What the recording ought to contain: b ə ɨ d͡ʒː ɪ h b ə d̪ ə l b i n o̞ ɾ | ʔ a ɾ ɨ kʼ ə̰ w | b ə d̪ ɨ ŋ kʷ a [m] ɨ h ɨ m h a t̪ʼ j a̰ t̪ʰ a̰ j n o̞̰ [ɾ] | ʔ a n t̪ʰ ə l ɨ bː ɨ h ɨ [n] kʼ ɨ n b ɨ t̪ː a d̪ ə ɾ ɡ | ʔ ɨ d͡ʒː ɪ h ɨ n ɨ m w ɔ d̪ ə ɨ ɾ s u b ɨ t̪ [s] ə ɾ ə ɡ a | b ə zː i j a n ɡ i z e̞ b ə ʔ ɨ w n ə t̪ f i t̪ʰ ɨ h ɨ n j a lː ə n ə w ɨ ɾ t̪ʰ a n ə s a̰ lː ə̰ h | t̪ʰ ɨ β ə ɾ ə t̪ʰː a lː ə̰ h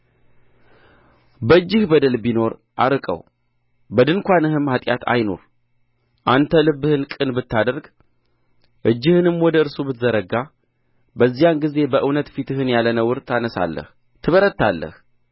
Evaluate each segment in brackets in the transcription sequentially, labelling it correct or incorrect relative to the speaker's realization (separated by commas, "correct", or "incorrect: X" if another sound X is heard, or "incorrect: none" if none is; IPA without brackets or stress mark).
incorrect: n, correct, correct, incorrect: z